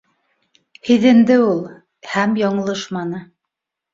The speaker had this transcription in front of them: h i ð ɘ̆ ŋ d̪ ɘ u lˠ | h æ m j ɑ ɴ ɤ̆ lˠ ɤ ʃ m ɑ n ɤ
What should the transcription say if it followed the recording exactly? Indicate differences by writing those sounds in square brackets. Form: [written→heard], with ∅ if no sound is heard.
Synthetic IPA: h i ð ɘ̆ [ŋ→n] d̪ ɘ u lˠ | h æ m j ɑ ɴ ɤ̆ lˠ ɤ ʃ m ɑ n ɤ

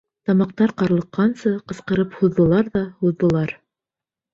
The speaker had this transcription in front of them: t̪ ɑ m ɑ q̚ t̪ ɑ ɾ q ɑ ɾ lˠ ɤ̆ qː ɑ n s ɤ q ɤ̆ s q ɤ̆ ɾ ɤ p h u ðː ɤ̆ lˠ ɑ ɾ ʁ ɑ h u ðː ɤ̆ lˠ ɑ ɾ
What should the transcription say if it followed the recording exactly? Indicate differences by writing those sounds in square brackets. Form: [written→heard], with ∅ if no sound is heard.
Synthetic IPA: t̪ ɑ m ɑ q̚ t̪ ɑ ɾ q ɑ ɾ lˠ ɤ̆ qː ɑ n s ɤ q ɤ̆ s q ɤ̆ ɾ ɤ p h u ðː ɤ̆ lˠ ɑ ɾ [ʁ→ð] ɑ h u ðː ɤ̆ lˠ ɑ ɾ

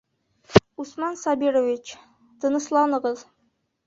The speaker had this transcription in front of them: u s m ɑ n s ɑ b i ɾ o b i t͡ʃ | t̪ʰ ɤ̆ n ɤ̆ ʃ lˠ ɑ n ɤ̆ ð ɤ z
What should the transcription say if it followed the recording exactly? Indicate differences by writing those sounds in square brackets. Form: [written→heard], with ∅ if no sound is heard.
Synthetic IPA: u s m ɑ n s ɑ b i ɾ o [b→v] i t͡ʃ | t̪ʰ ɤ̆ n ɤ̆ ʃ lˠ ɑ n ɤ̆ [ð→ʁ] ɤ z

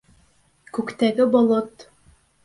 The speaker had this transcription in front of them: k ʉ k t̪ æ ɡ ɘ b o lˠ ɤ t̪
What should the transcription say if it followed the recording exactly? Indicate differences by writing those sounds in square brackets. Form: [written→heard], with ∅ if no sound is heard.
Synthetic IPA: k ʉ k t̪ æ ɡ ɘ b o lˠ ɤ t̪

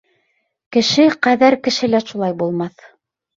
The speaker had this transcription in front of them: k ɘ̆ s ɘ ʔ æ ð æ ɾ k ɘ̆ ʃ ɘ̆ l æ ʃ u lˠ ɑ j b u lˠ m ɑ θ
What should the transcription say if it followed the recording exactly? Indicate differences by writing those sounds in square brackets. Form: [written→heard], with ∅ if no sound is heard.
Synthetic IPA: k ɘ̆ [s→ʃ] ɘ [ʔ→q] æ ð æ ɾ k ɘ̆ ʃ ɘ̆ l æ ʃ u lˠ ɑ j b u lˠ m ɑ θ

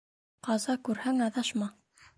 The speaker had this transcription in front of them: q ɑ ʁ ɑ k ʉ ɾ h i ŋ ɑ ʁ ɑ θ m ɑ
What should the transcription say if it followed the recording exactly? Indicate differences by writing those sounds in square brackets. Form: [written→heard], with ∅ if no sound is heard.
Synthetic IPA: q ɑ [ʁ→z] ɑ k ʉ ɾ h [i→æ] ŋ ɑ [ʁ→ð] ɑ [θ→ʃ] m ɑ

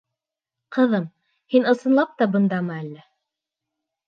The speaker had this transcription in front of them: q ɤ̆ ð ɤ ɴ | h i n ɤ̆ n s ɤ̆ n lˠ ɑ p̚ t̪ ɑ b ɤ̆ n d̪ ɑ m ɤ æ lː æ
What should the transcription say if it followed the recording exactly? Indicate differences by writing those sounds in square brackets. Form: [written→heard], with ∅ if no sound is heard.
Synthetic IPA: q ɤ̆ ð ɤ [ɴ→m] | h i n ɤ̆ [n→∅] s ɤ̆ n lˠ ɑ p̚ t̪ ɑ b ɤ̆ n d̪ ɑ m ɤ æ lː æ

